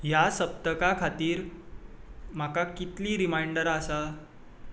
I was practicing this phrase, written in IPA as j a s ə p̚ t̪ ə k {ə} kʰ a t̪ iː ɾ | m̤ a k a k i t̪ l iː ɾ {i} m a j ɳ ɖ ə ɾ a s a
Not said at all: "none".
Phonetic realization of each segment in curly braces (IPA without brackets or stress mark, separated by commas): a, i